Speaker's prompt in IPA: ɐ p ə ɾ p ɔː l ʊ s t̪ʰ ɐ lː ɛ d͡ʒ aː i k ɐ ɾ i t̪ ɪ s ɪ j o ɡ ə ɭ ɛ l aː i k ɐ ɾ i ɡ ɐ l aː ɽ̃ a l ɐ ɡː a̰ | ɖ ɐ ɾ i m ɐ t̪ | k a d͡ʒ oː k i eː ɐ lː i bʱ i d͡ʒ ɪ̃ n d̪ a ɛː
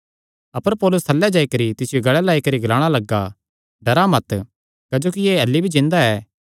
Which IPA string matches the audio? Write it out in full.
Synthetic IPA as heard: ɐ p ə ɾ p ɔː l ʊ s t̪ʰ ɐ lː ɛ d͡ʒ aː i k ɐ ɾ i t̪ ɪ s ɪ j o ɡ ɐ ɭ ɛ l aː i k ɐ ɾ i ɡ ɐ l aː ɽ̃ a l ɐ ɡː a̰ | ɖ ɐ ɾ a m ɐ t̪ | k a d͡ʒ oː k i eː ɐ lː i bʱ i d͡ʒ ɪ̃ n d̪ a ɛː